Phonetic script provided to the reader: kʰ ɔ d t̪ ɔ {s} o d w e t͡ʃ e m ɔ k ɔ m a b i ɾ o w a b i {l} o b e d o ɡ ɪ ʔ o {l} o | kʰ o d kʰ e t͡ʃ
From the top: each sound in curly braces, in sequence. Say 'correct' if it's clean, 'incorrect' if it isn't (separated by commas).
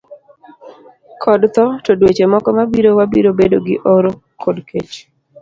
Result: incorrect, incorrect, incorrect